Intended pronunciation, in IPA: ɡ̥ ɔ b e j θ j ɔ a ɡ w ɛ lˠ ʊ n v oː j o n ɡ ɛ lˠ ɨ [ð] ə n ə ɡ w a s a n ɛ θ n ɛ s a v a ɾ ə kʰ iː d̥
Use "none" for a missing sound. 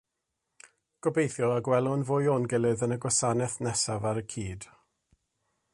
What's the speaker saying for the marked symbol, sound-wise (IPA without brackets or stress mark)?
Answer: ð